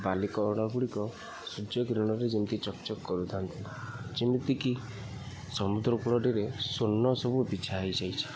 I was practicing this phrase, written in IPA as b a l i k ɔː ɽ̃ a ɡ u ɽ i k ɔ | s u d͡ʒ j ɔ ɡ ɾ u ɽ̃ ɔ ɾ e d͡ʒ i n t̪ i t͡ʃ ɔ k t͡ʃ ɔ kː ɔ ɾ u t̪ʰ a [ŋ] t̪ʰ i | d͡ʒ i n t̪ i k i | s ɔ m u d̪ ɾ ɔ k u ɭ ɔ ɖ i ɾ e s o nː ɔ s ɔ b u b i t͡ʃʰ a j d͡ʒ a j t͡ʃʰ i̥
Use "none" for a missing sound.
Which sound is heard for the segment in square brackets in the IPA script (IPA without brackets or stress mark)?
n